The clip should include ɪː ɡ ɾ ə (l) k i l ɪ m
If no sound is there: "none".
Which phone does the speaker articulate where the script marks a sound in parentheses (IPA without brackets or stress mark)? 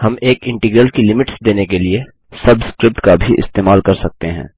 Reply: l